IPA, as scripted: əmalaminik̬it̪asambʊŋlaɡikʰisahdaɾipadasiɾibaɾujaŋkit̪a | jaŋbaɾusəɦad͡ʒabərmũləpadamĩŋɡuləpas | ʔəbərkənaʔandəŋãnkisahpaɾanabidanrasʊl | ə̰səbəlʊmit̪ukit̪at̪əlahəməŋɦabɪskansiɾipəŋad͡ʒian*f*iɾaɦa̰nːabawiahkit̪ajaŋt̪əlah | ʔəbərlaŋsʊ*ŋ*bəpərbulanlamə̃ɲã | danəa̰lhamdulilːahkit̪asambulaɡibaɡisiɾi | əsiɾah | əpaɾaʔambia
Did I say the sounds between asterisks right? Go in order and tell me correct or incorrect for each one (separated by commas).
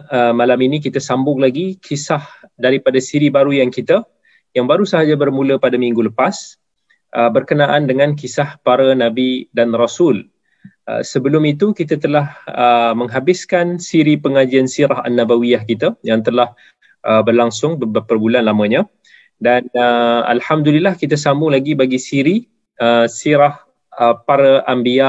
incorrect, correct